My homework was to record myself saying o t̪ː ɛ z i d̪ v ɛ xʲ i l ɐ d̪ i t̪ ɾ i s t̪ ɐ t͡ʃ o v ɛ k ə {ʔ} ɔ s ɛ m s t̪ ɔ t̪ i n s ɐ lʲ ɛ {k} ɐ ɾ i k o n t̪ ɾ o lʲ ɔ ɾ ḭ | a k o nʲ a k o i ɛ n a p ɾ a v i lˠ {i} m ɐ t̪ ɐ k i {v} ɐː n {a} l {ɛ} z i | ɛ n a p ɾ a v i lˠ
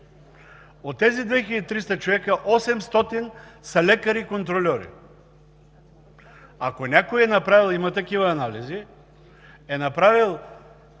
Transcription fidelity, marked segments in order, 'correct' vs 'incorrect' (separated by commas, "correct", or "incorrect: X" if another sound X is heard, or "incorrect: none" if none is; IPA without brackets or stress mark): correct, correct, correct, correct, correct, incorrect: i